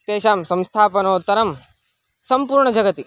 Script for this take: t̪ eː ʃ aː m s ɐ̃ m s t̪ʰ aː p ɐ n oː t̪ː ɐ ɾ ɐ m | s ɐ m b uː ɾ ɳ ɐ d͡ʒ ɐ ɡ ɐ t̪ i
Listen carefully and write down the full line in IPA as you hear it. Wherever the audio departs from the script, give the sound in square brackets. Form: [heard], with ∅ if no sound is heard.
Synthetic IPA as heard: t̪ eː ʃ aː m s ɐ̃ m s t̪ʰ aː p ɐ n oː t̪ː ɐ ɾ ɐ m | s ɐ m [p] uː ɾ ɳ ɐ d͡ʒ ɐ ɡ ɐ t̪ i